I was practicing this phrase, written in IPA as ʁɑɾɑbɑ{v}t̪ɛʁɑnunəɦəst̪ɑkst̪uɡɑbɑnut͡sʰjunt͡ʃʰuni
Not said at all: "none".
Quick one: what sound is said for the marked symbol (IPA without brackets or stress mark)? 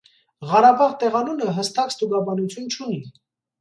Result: ʁ